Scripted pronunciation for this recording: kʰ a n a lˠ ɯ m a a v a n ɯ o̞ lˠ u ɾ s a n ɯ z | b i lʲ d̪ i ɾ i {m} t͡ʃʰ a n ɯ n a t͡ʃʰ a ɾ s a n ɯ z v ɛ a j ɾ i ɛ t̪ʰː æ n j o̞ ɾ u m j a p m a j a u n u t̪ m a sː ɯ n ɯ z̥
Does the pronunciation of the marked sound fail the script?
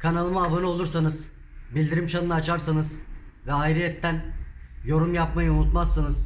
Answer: no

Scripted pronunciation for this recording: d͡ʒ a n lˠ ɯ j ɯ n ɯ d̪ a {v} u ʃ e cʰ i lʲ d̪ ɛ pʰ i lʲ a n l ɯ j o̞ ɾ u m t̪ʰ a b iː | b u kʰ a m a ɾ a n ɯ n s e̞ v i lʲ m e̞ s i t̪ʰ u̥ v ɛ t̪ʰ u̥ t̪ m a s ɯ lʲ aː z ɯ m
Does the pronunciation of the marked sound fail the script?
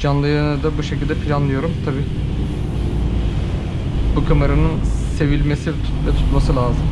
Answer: yes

